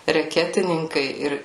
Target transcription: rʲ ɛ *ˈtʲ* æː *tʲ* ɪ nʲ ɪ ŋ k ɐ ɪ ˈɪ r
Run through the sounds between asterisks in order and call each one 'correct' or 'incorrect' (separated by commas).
incorrect, correct